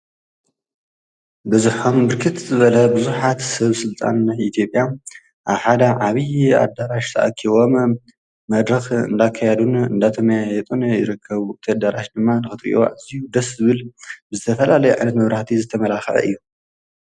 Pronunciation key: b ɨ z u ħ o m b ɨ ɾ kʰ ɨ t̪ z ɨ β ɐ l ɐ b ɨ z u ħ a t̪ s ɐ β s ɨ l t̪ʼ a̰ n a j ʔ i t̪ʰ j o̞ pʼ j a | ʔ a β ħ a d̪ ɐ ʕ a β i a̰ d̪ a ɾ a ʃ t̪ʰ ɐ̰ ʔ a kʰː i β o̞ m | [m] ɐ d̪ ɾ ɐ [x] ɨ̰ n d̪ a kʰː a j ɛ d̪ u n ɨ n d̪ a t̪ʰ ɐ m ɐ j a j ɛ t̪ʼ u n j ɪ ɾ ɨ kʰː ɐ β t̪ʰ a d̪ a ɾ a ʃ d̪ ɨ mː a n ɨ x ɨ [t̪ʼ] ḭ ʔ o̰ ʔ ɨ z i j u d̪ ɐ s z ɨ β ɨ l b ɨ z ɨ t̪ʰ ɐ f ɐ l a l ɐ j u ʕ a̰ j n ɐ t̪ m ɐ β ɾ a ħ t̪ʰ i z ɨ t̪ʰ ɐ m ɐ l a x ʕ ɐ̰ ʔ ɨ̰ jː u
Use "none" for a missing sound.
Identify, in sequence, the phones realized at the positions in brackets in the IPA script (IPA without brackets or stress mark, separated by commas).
m, x, t̪ʼ